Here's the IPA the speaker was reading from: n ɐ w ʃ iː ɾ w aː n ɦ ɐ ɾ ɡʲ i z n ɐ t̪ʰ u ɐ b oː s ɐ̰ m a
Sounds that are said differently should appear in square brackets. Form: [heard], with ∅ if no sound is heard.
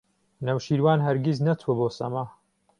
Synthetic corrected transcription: n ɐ w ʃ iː ɾ w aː n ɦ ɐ ɾ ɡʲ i z n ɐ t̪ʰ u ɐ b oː s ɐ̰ m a

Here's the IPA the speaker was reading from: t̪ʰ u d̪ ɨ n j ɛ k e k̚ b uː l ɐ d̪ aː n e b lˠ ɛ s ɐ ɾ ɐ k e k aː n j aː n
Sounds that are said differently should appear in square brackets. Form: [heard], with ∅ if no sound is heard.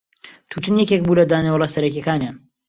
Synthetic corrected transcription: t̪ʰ u [t̪] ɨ n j ɛ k e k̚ b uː l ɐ d̪ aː n e [w] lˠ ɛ s ɐ ɾ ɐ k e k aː n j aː n

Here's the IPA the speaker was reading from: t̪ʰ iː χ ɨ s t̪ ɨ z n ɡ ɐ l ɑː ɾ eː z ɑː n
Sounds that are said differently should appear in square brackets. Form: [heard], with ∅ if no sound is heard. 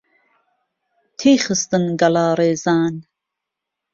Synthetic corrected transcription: t̪ʰ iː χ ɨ s t̪ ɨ [∅] n ɡ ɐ l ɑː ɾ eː z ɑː n

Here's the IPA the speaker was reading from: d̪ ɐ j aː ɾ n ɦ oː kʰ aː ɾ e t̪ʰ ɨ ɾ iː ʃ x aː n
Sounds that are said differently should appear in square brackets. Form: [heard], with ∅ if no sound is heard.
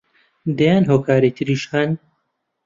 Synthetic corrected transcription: d̪ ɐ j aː [∅] n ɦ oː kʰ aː ɾ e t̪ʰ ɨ ɾ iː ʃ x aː n

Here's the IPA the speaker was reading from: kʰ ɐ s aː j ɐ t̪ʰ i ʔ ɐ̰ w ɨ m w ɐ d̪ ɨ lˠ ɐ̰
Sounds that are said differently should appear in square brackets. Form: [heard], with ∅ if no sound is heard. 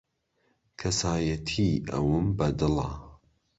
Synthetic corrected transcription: kʰ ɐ s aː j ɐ t̪ʰ i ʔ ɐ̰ w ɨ m [b] ɐ d̪ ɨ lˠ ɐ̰

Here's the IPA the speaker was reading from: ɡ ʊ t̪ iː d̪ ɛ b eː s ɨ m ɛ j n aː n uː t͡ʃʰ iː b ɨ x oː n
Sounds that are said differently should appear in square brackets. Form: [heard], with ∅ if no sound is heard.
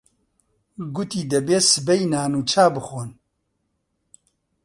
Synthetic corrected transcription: ɡ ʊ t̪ iː d̪ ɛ b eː s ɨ [b] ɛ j n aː n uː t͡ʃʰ [aː] b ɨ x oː n

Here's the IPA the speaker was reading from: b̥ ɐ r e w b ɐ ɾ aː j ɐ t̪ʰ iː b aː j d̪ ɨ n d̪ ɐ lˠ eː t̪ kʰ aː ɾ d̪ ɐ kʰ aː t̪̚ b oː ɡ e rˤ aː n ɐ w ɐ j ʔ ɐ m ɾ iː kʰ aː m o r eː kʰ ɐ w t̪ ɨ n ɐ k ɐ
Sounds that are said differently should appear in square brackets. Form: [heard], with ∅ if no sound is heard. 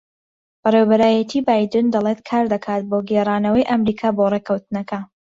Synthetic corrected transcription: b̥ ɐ r e w b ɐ ɾ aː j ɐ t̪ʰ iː b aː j d̪ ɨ n d̪ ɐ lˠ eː t̪ kʰ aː ɾ d̪ ɐ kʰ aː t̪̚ b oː ɡ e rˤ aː n ɐ w ɐ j ʔ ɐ m ɾ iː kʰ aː [b] o r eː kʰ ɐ w t̪ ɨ n ɐ k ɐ

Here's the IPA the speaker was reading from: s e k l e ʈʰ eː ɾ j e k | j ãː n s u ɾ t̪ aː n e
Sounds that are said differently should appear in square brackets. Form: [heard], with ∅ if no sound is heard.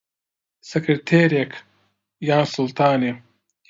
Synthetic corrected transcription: s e k [ɾ] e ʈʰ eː ɾ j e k | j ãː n s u [l] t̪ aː n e

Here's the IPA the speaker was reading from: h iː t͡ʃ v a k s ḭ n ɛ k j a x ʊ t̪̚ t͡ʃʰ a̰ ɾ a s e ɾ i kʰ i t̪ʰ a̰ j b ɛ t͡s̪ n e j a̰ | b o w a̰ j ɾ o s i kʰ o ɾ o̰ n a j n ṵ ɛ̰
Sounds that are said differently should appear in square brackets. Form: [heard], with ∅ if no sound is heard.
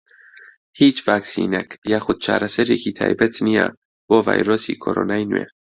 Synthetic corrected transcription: h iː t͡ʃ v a k s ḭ n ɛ k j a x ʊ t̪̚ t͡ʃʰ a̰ ɾ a s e ɾ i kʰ i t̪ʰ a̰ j b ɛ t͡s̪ n [i] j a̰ | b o [v] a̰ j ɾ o s i kʰ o ɾ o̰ n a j n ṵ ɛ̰

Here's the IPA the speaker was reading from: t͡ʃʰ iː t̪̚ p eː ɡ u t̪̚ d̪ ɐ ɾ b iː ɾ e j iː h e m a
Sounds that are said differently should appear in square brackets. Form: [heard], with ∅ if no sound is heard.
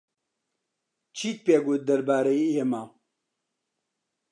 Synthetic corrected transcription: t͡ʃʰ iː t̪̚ p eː ɡ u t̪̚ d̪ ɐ ɾ b [aː] ɾ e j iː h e m a

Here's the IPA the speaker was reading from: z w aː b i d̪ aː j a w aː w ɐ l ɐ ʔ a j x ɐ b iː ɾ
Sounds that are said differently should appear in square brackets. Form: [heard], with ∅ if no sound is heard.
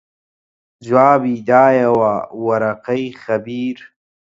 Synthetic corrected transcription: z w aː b i d̪ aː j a w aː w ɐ [ɾ] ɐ [q] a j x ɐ b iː ɾ

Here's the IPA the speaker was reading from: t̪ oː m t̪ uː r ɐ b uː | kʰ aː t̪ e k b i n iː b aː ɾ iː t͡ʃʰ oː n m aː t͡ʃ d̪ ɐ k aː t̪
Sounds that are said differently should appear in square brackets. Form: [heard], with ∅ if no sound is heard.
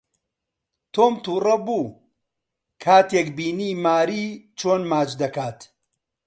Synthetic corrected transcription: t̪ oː m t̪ uː r ɐ b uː | kʰ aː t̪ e k b [iː] n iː [m] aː ɾ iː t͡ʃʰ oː n m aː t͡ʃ d̪ ɐ k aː t̪

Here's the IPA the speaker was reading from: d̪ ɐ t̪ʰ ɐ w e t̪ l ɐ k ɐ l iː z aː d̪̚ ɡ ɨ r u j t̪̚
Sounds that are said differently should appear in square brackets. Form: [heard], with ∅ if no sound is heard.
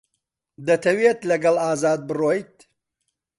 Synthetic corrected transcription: d̪ ɐ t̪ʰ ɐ w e t̪ l ɐ [ɡ] ɐ l [aː] z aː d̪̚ [b] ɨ r [o] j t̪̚

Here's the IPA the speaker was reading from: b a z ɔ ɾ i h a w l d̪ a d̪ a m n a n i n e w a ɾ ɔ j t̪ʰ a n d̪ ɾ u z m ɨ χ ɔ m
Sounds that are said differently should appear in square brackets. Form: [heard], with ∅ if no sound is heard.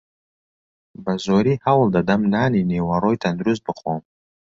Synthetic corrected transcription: b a z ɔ ɾ i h a w l d̪ a d̪ a m n a n i n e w a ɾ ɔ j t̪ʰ a n d̪ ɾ u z [b] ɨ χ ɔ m

